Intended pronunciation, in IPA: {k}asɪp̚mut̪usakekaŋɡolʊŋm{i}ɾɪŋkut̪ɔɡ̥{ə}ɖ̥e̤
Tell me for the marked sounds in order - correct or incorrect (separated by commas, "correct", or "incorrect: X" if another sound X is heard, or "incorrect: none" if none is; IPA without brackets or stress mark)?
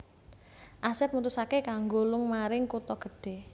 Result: incorrect: ʔ, incorrect: a, correct